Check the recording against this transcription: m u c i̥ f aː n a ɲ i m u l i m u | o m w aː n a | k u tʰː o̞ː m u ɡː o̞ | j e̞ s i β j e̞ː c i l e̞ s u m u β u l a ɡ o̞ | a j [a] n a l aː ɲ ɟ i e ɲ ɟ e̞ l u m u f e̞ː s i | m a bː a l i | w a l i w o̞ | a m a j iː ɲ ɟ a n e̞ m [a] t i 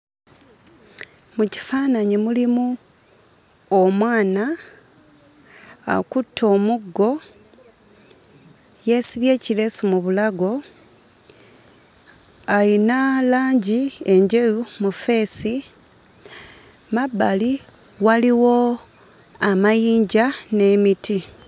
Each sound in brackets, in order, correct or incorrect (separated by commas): incorrect, incorrect